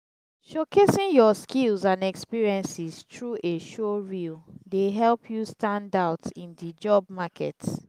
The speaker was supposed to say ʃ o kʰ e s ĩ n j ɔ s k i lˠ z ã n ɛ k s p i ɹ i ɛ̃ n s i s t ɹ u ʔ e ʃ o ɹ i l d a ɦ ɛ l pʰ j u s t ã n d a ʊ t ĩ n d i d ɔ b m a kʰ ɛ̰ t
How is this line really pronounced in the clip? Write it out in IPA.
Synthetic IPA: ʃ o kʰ e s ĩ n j ɔ s k i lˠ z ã n ɛ k s p i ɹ i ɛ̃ n s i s t ɹ u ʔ e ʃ o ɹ i l d e ɦ ɛ l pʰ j u s t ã n d a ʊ t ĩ n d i d͡ʒ ɔ b m a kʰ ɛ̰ t